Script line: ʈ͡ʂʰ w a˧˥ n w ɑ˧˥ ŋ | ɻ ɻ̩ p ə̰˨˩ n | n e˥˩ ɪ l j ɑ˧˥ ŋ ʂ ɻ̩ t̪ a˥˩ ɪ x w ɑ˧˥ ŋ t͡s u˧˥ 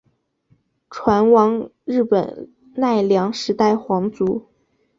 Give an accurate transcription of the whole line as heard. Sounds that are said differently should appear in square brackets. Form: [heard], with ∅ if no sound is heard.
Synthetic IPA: ʈ͡ʂʰ w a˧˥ n w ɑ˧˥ ŋ | ɻ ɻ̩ p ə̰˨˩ n | n [a˥˩] ɪ l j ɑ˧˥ ŋ ʂ ɻ̩ t̪ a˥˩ ɪ x w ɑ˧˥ ŋ t͡s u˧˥